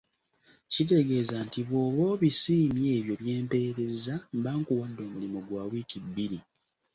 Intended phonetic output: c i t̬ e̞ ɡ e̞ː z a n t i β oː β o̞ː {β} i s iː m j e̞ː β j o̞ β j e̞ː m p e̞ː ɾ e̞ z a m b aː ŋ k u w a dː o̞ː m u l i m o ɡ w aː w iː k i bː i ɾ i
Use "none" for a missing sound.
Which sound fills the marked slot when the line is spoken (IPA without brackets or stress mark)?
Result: β